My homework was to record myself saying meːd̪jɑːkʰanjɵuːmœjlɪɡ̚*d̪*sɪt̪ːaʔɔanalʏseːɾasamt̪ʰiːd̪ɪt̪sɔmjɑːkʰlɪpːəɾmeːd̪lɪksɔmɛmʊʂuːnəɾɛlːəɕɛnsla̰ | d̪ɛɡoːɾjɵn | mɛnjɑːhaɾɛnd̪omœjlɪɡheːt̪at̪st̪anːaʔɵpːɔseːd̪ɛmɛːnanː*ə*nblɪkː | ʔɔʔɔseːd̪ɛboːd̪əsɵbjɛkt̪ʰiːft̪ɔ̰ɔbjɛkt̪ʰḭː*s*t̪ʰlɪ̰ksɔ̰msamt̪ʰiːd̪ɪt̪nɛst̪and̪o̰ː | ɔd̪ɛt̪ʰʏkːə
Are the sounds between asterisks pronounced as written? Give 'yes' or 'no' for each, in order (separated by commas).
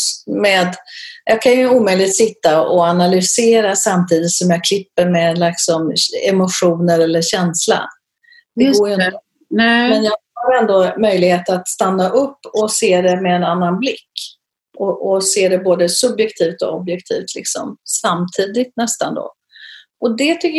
no, no, no